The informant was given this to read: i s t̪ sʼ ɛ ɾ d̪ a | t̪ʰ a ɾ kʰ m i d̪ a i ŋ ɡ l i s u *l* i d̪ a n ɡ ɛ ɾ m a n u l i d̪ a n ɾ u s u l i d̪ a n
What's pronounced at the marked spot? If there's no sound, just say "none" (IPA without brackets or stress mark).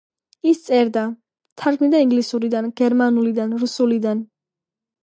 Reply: ɾ